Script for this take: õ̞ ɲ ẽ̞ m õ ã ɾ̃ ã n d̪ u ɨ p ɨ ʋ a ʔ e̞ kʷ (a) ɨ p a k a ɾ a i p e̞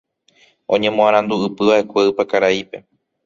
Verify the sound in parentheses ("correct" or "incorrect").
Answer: incorrect